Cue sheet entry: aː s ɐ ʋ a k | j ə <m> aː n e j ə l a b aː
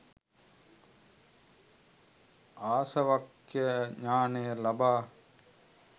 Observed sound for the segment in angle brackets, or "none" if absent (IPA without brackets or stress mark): ɲ